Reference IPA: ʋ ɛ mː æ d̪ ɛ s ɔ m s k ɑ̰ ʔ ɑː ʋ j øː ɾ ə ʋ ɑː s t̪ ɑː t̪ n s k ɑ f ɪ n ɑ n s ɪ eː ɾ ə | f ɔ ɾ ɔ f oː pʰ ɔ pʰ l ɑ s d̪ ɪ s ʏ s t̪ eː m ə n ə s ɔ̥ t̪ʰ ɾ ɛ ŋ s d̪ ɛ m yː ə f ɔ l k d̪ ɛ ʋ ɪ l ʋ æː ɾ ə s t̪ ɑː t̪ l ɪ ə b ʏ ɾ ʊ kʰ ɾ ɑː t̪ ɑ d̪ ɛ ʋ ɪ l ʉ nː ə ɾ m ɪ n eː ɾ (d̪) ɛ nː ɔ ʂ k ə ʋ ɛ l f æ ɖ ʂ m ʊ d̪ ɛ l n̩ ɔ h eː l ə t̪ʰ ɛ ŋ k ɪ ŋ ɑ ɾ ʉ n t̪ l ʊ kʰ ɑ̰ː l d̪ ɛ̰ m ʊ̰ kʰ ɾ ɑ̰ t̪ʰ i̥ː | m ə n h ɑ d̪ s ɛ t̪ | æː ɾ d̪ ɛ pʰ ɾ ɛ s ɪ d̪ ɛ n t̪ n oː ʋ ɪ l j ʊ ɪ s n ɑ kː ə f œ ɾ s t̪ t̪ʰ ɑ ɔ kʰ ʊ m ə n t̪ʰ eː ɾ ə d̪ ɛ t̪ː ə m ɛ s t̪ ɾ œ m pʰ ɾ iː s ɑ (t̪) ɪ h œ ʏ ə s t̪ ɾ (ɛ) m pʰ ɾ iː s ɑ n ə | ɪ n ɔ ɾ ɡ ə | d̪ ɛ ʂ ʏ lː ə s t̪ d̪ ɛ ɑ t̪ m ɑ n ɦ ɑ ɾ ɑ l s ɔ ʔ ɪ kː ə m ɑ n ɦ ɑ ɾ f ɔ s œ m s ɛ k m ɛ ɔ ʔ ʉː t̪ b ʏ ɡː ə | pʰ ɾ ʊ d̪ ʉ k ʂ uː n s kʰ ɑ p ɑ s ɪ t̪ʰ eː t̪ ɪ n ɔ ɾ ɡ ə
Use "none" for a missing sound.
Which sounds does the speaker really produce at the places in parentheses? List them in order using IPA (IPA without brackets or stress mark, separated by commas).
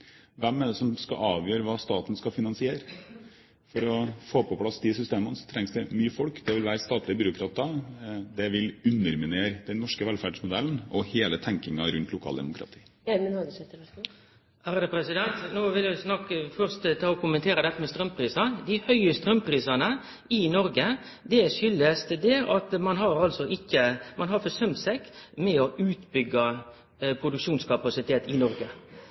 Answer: d̪, d̪, œ